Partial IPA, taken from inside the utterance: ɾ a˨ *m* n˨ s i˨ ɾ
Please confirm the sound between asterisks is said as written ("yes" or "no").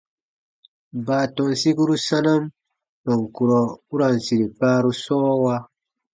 no